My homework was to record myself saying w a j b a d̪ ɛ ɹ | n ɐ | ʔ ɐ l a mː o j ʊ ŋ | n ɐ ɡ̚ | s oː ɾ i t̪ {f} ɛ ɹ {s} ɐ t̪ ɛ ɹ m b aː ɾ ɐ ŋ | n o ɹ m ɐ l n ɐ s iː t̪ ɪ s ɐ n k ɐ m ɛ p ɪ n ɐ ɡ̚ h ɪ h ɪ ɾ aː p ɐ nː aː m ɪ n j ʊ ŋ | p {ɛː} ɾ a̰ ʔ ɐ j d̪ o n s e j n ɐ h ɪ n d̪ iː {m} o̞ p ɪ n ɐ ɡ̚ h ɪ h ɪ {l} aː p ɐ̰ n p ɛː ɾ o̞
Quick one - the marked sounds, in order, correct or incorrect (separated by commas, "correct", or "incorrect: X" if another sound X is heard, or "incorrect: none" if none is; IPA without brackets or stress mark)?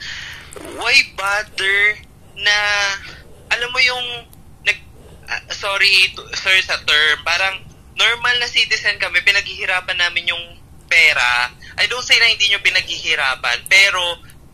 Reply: incorrect: s, correct, correct, incorrect: ɲ, incorrect: ɾ